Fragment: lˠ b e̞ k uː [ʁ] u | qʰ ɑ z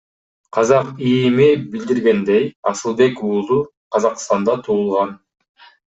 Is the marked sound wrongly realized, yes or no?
yes